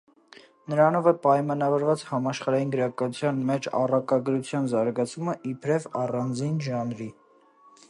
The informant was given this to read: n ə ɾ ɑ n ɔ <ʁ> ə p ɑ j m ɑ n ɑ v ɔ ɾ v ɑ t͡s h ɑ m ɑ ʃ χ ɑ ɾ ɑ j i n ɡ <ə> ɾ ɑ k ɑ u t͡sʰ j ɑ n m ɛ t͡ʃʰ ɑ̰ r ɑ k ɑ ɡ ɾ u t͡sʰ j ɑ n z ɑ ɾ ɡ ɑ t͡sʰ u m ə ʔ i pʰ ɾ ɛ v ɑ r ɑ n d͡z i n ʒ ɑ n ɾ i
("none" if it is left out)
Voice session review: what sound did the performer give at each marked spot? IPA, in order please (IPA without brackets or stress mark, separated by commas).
v, ə